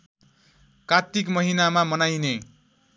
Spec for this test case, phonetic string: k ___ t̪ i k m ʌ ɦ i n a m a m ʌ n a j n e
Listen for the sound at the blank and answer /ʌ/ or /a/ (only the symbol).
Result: a